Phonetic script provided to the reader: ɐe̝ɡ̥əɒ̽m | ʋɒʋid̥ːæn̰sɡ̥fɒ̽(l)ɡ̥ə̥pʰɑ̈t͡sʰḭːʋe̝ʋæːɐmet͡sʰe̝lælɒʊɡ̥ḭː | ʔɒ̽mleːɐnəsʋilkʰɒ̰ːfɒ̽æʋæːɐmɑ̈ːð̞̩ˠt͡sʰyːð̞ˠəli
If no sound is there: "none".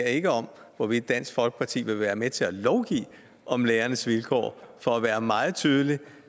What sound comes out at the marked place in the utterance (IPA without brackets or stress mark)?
l